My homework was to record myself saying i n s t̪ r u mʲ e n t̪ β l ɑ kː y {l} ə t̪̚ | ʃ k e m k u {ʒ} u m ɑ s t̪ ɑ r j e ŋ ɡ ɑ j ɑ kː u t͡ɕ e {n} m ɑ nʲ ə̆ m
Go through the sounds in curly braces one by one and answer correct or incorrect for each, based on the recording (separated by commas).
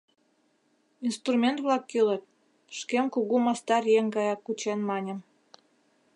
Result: correct, incorrect, correct